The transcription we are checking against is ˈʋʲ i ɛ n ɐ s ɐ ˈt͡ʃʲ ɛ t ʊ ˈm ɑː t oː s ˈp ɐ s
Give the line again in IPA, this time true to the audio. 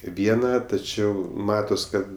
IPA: ˈʋʲ i ɛ n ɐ t ɐ ˈt͡ʃʲ ɛ ʊ ˈm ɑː t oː s ˈk ɐ t